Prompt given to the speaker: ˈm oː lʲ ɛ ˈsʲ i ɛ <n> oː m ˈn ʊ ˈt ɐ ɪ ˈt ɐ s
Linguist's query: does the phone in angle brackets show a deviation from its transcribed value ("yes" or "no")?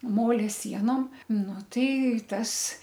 no